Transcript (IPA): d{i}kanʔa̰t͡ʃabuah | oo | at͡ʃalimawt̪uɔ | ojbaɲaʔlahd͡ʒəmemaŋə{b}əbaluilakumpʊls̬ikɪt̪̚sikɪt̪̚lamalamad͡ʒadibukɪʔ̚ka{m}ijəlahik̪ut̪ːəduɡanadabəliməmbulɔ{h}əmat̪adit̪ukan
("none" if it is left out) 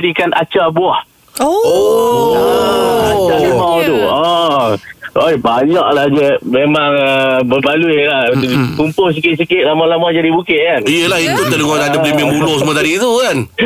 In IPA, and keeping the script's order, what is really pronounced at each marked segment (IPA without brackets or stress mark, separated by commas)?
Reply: i, b, n, s